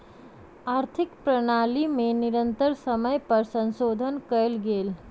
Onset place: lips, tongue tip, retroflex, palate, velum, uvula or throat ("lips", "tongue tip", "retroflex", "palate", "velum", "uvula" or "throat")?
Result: tongue tip